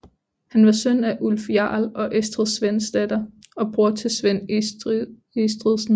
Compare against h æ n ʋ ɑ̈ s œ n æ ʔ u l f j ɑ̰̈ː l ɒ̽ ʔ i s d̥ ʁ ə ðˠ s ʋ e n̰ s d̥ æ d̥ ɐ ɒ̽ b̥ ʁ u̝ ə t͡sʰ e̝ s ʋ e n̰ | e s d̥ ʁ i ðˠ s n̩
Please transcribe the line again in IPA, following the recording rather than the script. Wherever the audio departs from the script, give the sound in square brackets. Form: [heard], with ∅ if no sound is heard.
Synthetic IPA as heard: h æ n ʋ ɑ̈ s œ n æ ʔ u l f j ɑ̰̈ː l ɒ̽ ʔ [e] s d̥ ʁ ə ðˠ s ʋ e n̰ s d̥ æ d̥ ɐ ɒ̽ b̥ ʁ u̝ [ɐ] t͡sʰ e̝ s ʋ e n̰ | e s d̥ ʁ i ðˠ s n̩

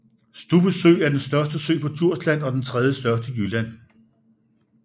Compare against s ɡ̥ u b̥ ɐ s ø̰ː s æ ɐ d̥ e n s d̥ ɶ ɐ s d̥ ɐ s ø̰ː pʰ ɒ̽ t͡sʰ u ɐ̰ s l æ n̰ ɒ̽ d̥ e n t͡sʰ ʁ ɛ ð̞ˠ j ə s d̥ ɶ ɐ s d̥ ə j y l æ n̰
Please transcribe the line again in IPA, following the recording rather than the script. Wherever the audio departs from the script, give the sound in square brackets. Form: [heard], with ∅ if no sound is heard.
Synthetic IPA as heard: s [d̥] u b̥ [ə] s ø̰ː [∅] æ ɐ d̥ e n s d̥ ɶ ɐ s d̥ [ə] s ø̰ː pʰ ɒ̽ t͡sʰ u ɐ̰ s l æ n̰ ɒ̽ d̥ e n t͡sʰ ʁ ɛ ð̞ˠ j ə s d̥ ɶ ɐ s d̥ ə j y l æ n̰

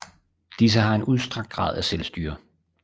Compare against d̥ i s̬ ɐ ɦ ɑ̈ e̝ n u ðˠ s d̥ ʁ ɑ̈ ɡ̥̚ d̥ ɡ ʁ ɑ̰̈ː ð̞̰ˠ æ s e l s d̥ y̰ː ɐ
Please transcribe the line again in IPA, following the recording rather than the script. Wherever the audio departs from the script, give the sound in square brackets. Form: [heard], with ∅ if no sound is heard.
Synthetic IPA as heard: d̥ i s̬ [ə] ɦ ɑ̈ e̝ n u ðˠ s d̥ ʁ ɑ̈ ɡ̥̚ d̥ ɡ ʁ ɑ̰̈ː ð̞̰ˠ æ s e l s d̥ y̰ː ɐ

